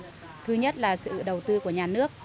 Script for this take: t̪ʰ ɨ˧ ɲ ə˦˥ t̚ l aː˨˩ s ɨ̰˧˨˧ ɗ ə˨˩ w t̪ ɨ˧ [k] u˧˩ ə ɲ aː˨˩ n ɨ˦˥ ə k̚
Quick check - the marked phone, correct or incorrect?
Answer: correct